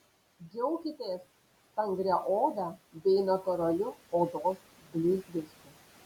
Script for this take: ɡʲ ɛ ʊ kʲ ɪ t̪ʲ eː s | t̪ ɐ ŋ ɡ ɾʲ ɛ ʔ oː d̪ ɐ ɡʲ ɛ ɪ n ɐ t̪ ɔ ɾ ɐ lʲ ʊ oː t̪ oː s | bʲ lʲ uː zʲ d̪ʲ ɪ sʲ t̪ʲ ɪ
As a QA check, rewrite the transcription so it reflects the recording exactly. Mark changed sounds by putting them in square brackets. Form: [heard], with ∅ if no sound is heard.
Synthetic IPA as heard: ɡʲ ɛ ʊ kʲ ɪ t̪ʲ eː s | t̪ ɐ ŋ ɡ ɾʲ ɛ ʔ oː d̪ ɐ [bʲ] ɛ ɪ n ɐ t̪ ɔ ɾ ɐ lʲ ʊ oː [d̪] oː s | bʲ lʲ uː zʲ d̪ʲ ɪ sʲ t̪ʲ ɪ